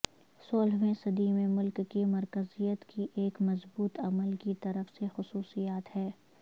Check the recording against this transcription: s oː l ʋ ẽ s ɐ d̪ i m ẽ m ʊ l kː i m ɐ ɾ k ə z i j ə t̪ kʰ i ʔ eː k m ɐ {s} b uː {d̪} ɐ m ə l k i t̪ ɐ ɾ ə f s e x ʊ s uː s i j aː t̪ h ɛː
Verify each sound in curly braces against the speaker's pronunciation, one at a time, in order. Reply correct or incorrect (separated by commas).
incorrect, incorrect